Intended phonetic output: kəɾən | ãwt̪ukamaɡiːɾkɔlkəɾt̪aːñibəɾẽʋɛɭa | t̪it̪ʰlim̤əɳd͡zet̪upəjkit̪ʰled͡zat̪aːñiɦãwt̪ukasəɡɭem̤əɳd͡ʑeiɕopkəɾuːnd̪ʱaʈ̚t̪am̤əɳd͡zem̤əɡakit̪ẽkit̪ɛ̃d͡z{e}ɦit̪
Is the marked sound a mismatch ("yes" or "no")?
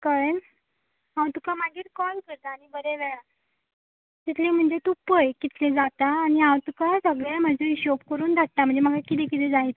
yes